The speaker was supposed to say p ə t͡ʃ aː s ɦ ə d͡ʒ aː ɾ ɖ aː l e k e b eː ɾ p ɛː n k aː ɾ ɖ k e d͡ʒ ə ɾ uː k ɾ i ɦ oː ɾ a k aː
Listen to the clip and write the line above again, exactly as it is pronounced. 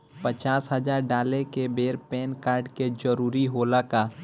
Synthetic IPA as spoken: p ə t͡ʃ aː s ɦ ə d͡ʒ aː ɾ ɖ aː l e k e b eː ɾ p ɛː n k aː ɾ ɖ k e d͡ʒ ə ɾ uː ɾ i ɦ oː l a k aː